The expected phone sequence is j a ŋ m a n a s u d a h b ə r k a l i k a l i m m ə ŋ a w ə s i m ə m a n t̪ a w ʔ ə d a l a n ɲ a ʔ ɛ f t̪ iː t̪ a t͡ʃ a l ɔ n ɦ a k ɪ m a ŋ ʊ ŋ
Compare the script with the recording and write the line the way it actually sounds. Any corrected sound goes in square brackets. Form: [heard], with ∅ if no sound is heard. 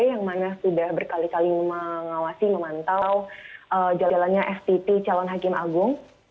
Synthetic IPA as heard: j a ŋ m a n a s u d a h b ə r k a l i k a l i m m ə ŋ a w [a] s i m ə m a n t̪ a w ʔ ə [d͡ʒ] a l a n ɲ a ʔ ɛ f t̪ [i] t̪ [i] t͡ʃ a l ɔ n ɦ a k ɪ m a [ɡ] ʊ ŋ